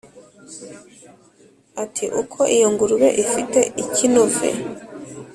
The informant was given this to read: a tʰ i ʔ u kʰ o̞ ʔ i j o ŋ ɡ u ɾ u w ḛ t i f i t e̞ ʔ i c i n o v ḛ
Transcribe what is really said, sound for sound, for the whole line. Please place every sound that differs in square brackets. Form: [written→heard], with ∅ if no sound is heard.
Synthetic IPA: a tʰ i ʔ u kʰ o̞ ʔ i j o ŋ ɡ u ɾ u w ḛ [t→ʔ] i f i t e̞ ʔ i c i n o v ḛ